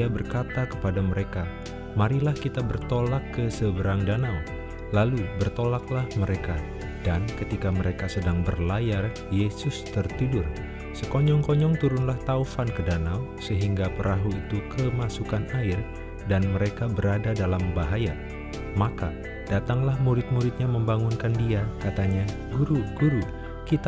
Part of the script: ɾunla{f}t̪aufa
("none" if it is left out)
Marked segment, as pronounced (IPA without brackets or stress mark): h